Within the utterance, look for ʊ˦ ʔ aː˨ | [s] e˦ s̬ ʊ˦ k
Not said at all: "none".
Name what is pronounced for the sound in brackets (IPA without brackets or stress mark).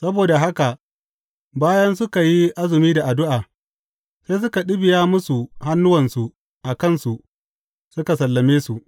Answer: s